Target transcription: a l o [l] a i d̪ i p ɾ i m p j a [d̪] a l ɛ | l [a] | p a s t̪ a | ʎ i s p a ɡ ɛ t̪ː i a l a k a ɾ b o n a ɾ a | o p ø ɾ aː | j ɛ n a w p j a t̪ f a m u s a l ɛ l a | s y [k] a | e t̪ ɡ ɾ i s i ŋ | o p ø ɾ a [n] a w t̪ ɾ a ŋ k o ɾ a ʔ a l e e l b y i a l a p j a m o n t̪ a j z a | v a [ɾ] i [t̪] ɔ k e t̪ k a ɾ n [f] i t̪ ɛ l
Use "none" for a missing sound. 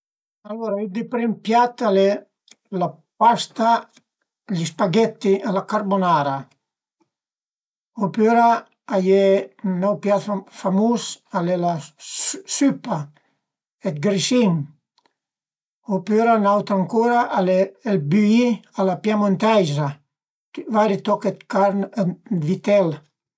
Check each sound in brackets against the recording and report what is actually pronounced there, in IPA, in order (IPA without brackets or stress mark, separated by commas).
ɾ, t̪, a, p, n, ɾ, t̪, v